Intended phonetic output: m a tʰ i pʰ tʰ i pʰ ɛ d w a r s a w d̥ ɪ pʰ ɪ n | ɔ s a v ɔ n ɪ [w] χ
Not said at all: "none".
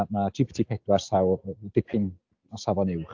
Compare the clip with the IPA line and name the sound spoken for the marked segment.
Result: w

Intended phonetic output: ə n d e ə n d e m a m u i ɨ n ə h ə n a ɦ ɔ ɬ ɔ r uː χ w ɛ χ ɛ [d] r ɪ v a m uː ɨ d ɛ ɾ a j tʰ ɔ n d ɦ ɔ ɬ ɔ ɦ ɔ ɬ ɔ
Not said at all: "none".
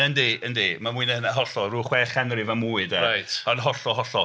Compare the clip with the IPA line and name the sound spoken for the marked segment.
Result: n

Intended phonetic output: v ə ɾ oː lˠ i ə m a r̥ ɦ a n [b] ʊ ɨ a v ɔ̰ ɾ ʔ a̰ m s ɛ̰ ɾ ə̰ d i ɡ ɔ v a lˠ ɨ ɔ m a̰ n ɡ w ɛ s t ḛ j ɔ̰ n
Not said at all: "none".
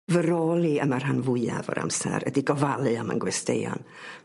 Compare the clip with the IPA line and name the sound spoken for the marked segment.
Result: v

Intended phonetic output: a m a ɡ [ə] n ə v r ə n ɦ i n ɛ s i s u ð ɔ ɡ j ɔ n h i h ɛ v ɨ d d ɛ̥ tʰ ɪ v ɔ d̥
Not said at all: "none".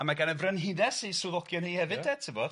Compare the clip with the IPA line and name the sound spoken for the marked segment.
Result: a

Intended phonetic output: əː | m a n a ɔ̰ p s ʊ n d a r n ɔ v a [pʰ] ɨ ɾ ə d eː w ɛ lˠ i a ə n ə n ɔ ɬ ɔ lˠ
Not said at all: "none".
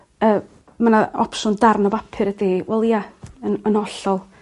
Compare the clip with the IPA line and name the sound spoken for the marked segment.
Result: pʰ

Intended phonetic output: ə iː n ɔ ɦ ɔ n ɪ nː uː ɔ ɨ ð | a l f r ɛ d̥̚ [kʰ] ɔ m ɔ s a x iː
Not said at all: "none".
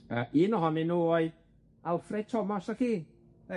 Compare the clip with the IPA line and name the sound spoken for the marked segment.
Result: tʰ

